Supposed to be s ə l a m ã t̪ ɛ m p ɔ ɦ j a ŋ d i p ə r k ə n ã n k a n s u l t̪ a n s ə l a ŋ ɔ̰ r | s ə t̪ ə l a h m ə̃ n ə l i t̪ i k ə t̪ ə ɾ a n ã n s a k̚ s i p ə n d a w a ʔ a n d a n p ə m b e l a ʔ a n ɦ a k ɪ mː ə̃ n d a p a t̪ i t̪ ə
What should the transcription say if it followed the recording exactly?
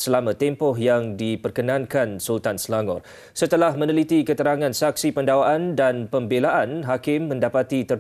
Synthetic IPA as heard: s ə l a m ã t̪ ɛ m p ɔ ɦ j a ŋ d i p ə r k ə n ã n k a n s u l t̪ a n s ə l a ŋ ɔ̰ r | s ə t̪ ə l a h m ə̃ n ə l i t̪ i k ə t̪ ə ɾ a ŋ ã n s a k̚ s i p ə n d a w a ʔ a n d a n p ə m b e l a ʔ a n ɦ a k ɪ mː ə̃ n d a p a t̪ i t̪ ə

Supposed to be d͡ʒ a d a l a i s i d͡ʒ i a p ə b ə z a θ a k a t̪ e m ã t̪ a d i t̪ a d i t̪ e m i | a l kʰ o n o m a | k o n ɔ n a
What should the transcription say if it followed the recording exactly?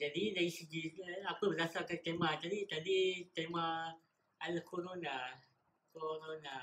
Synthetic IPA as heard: d͡ʒ a d i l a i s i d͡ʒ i a p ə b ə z a s a k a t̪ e m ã t̪ a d i t̪ a d i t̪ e m a | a l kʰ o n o n a | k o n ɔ n a

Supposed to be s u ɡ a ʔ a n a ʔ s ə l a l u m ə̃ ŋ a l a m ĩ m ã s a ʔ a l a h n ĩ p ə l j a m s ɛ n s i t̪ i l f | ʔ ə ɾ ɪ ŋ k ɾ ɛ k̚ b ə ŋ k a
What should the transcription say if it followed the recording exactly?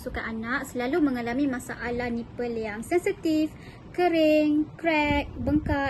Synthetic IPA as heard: s u k a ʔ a n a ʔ s ə l a l u m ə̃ ŋ a l a m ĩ m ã s a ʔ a l a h n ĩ p ə l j a ŋ s ɛ n s i t̪ i f | k ə ɾ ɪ ŋ k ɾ ɛ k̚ b ə ŋ k a

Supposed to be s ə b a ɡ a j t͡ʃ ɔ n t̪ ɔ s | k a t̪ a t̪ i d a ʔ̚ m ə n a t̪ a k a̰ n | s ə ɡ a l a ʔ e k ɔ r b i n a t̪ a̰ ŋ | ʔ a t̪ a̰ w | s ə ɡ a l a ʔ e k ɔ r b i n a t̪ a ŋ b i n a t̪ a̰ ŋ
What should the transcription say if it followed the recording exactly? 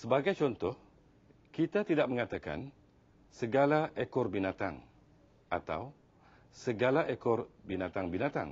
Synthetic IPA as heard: s ə b a ɡ a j t͡ʃ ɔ n t̪ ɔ h | k i t̪ a t̪ i d a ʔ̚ m ə ŋ a t̪ a k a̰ n | s ə ɡ a l a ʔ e k ɔ r b i n a t̪ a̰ ŋ | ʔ a t̪ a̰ w | s ə ɡ a l a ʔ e k ɔ r b i n a t̪ a ŋ b i n a t̪ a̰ ŋ

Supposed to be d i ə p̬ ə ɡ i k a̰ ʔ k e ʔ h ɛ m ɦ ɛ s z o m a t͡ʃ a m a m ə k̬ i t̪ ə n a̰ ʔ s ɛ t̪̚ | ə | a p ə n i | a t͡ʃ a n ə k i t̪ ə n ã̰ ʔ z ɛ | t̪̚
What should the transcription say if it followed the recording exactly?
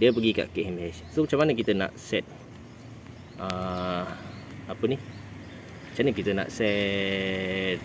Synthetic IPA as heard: d i ə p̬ ə ɡ i k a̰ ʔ k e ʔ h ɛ m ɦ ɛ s s o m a t͡ʃ a m a n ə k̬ i t̪ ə n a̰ ʔ s ɛ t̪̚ | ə | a p ə n i | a t͡ʃ a n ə k i t̪ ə n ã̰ ʔ s ɛ | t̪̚

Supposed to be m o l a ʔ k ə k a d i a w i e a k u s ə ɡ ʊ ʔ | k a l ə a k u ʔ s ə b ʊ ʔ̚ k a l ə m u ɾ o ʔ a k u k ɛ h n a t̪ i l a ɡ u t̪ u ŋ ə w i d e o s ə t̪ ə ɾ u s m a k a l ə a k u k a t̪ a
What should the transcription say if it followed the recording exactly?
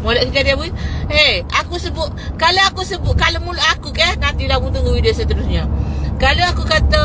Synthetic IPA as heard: m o l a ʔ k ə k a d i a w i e a k u s ə b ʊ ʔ | k a l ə a k u s ə b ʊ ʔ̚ k a l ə m u l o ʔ a k u k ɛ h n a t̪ i l a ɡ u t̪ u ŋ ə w i d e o s ə t̪ ə ɾ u s ɲ a k a l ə a k u k a t̪ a

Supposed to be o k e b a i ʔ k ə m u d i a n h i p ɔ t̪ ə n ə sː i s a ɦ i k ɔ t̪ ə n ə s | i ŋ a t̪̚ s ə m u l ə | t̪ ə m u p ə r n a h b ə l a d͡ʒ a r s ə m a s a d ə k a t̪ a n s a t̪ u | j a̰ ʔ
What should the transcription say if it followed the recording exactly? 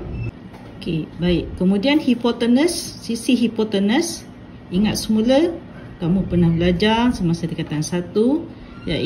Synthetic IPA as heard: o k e b a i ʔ k ə m u d i a n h i p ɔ t̪ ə n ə sː i s i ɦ i p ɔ t̪ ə n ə s | i ŋ a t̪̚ s ə m u l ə | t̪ a m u p ə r n a h b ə l a d͡ʒ a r s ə m a s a d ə k a t̪ a n s a t̪ u | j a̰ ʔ

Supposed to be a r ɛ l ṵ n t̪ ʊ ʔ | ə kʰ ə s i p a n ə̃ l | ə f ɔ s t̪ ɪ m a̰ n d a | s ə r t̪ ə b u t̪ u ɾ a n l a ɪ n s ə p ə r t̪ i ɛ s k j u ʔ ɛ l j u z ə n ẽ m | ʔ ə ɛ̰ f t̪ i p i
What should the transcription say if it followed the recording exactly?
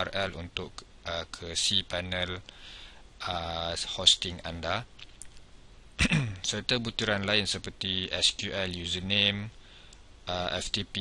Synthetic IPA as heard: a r ɛ l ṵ n t̪ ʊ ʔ | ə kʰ ə s i p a n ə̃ l | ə h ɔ s t̪ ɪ ŋ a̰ n d a | s ə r t̪ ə b u t̪ u ɾ a n l a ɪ n s ə p ə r t̪ i ɛ s k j u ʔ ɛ l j u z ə n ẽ m | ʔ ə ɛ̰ f t̪ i p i

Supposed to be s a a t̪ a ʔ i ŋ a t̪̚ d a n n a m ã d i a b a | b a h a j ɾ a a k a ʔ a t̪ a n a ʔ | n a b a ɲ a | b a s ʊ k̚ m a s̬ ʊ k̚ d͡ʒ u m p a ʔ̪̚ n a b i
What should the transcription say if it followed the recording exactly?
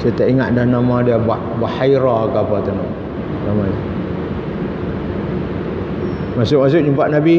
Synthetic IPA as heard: s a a t̪ a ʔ i ŋ a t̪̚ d a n n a m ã d i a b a | b a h a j ɾ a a k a p a t̪ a n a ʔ | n a m a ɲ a | m a s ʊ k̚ m a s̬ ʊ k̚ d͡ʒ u m p a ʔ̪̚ n a b i

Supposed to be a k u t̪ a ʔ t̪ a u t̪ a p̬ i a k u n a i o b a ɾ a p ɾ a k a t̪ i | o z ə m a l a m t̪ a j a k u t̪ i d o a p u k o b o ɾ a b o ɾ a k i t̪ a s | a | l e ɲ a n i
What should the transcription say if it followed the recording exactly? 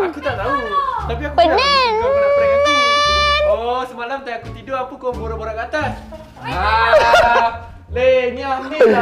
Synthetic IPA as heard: a k u t̪ a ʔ t̪ a u t̪ a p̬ i a k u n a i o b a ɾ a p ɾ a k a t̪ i | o s ə m a l a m t̪ a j a k u t̪ i d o a p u k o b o ɾ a b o ɾ a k a t̪ a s | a | l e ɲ a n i

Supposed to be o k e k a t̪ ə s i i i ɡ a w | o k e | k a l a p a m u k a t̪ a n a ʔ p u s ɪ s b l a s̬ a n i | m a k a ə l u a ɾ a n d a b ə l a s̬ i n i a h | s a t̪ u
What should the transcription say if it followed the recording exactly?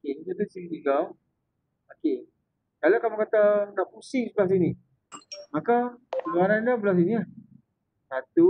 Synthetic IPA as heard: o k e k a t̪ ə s i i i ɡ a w | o k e | k a l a k a m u k a t̪ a n a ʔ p u s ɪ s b l a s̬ i n i | m a k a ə l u a ɾ a n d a b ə l a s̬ i n i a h | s a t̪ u

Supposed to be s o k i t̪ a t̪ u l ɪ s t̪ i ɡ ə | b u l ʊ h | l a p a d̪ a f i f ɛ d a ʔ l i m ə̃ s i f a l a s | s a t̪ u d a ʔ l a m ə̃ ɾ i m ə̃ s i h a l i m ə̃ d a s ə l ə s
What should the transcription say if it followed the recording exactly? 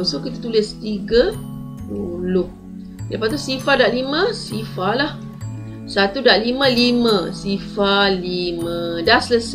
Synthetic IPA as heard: s o k i t̪ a t̪ u l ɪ s t̪ i ɡ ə | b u l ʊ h | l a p a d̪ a s i f a d a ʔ l i m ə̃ s i f a l a h | s a t̪ u d a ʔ l i m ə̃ l i m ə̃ s i f a l i m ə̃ d a s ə l ə s

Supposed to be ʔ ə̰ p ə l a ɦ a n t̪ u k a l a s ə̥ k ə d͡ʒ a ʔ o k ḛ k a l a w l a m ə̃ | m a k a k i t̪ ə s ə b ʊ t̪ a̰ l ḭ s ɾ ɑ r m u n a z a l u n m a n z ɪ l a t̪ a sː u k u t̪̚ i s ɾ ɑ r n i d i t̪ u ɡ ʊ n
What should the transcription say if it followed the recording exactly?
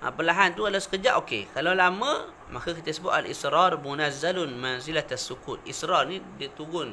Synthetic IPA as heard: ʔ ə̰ p ə l a ɦ a n t̪ u k a l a s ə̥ k ə d͡ʒ a ʔ o k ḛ k a l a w l a m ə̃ | m a k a k i t̪ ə s ə b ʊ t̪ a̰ l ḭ s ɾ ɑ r m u n a z a l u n m a n z i l a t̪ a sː u k u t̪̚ i s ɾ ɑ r n i d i t̪ u ɡ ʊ n

